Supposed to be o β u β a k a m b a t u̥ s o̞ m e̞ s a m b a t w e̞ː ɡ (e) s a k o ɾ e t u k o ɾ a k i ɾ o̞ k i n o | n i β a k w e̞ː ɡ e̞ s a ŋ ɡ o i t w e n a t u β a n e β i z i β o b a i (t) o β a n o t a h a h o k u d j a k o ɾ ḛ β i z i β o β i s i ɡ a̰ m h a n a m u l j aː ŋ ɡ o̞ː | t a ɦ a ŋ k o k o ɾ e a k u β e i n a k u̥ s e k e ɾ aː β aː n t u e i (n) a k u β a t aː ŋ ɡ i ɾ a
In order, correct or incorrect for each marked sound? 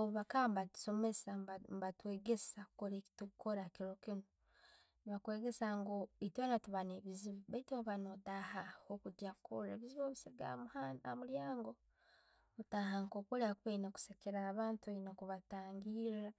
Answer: correct, correct, correct

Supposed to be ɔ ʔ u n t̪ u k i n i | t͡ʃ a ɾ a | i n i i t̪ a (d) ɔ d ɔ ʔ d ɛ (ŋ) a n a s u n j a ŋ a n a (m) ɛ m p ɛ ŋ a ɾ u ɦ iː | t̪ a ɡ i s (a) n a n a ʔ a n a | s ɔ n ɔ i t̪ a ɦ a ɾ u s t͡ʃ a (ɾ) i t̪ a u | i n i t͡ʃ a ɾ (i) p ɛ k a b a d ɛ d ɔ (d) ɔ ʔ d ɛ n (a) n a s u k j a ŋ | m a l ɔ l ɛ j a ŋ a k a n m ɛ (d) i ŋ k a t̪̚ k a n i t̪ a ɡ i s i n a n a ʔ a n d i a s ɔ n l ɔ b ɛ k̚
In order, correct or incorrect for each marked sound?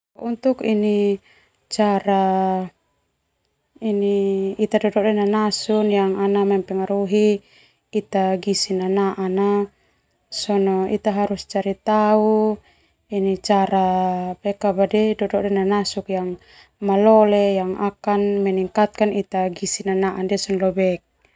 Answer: correct, incorrect: n, correct, incorrect: i, correct, incorrect: a, correct, correct, incorrect: n

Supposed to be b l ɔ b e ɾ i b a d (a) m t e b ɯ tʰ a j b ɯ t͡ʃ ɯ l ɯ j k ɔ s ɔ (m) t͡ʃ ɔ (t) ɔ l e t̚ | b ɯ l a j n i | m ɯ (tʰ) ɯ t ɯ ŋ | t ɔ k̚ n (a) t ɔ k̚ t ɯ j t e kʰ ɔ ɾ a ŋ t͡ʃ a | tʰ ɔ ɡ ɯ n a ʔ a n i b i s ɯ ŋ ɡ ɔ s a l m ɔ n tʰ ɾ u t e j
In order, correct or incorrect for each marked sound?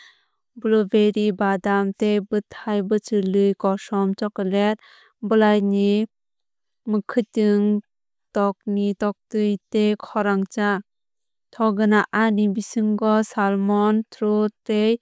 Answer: correct, correct, incorrect: k, incorrect: kʰ, incorrect: i

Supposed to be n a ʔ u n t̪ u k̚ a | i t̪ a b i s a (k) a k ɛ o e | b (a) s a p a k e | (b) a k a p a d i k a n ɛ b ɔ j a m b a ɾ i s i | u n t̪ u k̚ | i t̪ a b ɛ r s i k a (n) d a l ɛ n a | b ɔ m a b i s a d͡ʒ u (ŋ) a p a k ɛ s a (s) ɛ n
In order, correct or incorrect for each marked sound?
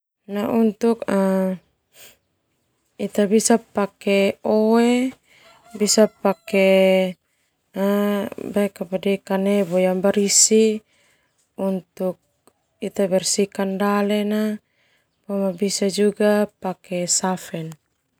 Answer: incorrect: p, incorrect: i, correct, correct, incorrect: ɡ, incorrect: f

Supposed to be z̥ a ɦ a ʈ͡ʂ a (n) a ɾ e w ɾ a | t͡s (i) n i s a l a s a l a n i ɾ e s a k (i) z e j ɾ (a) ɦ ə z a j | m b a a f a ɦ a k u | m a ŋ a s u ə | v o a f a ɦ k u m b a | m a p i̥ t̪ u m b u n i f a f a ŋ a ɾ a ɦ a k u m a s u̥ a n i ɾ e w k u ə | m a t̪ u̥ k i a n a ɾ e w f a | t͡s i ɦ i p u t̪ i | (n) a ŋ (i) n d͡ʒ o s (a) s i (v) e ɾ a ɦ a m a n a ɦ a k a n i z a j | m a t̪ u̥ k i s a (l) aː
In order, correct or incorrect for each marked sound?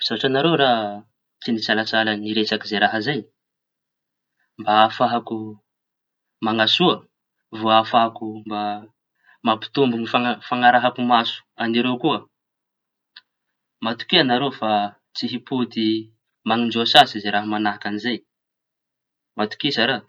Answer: correct, correct, correct, correct, incorrect: m, correct, correct, incorrect: z, incorrect: ɾ

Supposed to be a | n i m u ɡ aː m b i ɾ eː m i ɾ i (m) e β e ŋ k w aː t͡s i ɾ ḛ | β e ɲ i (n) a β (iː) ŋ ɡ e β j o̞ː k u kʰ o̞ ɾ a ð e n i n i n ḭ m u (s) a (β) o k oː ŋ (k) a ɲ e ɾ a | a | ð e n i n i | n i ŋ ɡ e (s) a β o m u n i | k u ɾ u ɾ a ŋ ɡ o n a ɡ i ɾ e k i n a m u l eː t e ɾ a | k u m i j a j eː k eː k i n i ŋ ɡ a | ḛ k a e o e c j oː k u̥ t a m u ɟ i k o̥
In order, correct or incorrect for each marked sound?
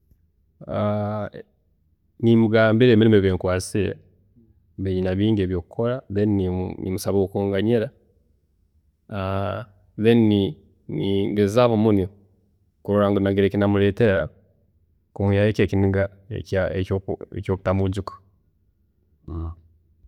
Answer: correct, correct, correct, correct, correct, incorrect: ɡ, incorrect: z

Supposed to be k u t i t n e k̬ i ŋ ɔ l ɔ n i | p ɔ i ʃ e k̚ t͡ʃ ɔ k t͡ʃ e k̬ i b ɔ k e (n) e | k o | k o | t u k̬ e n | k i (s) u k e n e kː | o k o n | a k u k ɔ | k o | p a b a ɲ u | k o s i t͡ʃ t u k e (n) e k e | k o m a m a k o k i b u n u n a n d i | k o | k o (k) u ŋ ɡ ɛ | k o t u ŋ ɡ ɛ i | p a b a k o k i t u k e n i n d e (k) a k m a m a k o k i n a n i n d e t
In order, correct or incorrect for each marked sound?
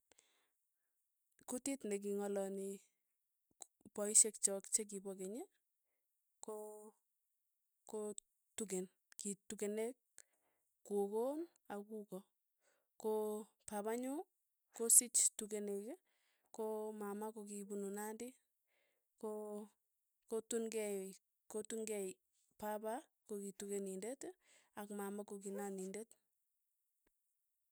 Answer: incorrect: ɲ, incorrect: t, correct, incorrect: t, incorrect: t

